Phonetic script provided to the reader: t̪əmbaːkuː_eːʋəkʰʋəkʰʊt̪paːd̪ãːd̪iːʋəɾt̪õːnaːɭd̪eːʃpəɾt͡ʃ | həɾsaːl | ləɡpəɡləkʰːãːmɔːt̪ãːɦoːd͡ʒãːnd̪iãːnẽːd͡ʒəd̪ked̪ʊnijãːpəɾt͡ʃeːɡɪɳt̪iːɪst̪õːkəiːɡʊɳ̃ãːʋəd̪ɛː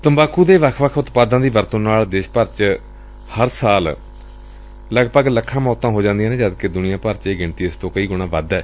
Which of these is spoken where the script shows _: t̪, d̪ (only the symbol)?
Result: d̪